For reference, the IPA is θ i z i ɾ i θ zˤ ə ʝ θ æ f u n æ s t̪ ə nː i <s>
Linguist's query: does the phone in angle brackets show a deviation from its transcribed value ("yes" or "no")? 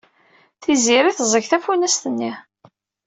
yes